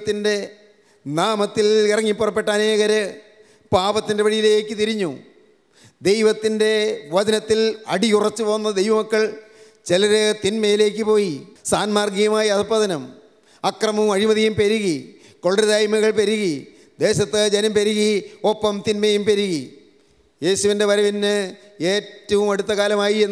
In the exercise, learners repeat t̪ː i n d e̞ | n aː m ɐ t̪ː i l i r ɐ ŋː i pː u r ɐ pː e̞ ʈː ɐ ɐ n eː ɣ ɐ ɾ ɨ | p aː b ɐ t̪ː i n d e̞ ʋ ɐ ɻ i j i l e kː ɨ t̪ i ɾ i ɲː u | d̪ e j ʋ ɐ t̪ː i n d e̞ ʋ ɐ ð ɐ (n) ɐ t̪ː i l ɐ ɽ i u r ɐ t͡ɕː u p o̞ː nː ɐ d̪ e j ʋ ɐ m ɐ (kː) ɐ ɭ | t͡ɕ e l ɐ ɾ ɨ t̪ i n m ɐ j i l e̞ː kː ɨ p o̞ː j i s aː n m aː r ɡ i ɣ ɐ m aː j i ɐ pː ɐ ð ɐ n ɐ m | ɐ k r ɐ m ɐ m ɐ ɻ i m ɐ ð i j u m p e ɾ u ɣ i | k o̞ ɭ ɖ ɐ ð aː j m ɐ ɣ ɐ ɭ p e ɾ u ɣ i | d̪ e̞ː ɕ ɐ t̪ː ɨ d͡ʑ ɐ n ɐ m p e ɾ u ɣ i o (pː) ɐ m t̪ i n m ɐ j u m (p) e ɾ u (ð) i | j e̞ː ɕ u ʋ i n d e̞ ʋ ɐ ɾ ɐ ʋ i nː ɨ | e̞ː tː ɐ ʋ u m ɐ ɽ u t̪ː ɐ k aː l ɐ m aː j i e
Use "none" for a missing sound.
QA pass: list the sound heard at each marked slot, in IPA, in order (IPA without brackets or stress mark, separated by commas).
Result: n, kː, pː, p, ɣ